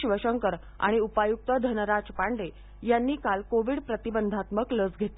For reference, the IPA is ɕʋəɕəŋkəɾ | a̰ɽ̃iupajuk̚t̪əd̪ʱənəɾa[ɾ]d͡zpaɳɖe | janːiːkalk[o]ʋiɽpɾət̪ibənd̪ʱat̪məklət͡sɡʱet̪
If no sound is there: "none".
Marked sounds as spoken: none, o

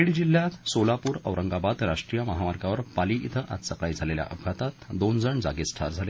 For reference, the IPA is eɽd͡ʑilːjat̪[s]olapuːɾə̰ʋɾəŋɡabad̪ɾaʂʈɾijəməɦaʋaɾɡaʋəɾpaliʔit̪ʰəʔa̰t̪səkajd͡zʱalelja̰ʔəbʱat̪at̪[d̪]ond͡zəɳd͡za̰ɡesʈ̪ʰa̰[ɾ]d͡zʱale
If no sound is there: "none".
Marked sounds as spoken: s, d̪, ɾ

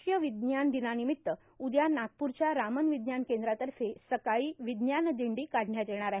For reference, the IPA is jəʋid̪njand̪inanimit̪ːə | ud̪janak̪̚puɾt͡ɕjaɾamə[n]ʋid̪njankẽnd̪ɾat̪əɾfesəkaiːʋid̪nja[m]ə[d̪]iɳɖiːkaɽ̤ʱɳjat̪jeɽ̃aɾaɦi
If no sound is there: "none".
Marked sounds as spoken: n, n, d̪

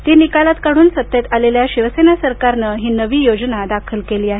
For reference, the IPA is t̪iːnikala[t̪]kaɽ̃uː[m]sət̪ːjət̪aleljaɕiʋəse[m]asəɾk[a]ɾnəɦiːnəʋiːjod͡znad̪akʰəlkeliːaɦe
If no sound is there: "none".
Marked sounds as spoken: t̪, n, n, a

